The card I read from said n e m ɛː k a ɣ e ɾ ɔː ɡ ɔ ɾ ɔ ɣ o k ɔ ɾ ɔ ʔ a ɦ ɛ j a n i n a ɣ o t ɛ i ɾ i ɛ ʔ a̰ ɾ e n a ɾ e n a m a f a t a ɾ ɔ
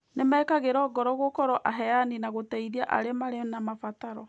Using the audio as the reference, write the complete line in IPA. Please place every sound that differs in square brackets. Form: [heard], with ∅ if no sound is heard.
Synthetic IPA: n e m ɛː k a ɣ e ɾ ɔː ɡ ɔ ɾ ɔ ɣ o k ɔ ɾ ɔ ʔ a ɦ ɛ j a n i n a ɣ o t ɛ i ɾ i [a] ʔ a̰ ɾ e [m] a ɾ e n a m a f a t a ɾ ɔ